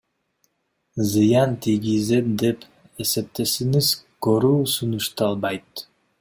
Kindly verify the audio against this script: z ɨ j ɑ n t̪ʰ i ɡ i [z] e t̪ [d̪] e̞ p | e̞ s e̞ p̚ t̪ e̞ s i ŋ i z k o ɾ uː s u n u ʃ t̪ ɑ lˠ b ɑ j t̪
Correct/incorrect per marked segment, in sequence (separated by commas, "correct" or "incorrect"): correct, correct